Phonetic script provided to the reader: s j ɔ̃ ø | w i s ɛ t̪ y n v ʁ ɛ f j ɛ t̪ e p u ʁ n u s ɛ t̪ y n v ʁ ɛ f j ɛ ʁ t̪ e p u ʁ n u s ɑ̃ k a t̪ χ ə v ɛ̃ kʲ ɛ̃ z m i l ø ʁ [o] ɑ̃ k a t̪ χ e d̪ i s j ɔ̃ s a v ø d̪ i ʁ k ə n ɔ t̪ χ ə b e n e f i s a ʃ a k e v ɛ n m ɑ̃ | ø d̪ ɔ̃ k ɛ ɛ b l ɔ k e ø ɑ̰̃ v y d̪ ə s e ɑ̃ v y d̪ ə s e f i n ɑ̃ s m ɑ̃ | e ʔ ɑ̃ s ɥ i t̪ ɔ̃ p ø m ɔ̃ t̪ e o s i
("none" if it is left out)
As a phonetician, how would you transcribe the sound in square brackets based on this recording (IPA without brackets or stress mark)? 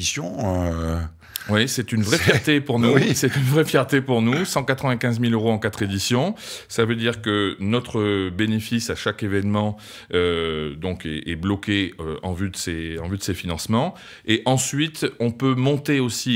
o